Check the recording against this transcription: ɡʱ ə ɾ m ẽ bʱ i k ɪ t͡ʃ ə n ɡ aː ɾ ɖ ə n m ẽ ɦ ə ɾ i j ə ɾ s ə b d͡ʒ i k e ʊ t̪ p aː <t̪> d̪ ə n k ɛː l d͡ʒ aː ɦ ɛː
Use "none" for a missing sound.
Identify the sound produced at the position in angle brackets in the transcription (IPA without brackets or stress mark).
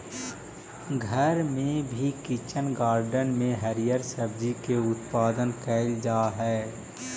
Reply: none